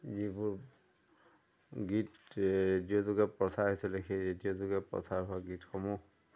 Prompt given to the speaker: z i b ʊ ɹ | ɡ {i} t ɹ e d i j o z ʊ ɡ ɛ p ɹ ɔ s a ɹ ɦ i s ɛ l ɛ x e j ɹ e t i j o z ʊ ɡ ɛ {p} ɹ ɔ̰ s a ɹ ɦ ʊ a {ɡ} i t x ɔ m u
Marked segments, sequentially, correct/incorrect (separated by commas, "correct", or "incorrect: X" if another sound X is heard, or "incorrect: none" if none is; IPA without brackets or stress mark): correct, correct, correct